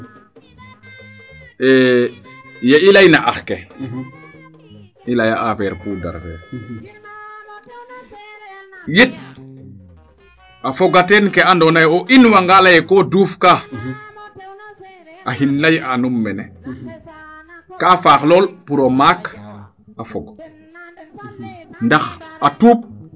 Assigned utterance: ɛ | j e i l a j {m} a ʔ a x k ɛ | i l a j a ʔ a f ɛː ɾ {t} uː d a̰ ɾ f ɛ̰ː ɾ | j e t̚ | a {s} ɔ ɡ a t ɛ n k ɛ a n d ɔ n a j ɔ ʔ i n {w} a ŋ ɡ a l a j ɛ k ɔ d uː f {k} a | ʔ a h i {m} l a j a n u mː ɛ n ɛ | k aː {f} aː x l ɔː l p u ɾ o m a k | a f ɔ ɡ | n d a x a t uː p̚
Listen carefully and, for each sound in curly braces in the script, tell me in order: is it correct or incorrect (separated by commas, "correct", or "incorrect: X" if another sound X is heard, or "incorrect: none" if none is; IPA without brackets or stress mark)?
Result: incorrect: n, incorrect: p, incorrect: f, correct, correct, incorrect: n, correct